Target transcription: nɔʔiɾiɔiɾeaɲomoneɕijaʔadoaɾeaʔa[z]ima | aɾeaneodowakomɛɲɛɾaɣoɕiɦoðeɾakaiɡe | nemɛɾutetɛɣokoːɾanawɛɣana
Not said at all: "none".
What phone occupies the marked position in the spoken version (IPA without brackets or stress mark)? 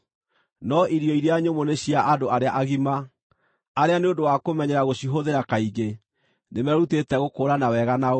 ɣ